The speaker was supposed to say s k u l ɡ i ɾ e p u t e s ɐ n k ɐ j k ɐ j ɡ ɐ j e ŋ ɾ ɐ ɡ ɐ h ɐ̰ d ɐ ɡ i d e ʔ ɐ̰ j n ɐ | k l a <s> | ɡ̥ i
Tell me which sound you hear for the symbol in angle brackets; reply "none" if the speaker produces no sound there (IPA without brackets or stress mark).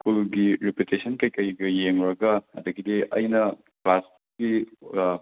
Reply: s